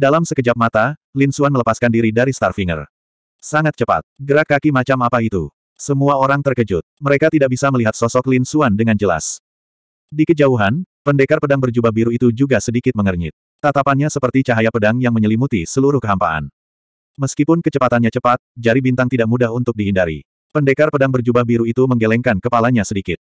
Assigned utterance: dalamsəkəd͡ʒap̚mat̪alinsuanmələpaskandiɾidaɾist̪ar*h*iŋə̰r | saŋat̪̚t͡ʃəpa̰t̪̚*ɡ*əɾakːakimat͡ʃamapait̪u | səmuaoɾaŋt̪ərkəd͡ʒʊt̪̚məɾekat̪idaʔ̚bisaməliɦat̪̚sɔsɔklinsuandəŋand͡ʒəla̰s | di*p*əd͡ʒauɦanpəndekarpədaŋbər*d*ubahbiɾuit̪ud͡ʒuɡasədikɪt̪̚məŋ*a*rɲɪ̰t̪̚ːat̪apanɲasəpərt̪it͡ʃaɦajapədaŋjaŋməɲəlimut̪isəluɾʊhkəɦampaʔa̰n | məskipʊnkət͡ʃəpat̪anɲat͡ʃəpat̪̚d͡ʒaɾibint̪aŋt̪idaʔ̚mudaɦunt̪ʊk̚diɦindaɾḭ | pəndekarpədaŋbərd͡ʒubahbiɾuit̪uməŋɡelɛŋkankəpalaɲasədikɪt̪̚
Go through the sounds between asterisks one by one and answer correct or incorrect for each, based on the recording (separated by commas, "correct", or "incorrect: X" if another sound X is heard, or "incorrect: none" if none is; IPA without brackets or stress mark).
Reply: incorrect: f, correct, incorrect: k, incorrect: d͡ʒ, incorrect: ə